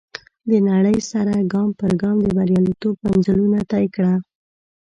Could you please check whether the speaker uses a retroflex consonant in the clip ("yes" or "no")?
yes